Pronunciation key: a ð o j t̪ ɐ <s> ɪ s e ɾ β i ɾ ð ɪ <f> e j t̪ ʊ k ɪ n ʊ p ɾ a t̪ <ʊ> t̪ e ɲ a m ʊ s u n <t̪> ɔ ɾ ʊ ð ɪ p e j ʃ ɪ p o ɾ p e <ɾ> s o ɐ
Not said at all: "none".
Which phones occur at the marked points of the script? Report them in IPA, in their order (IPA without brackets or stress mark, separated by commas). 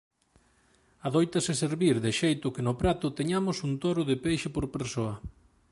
s, ʃ, ʊ, t̪, ɾ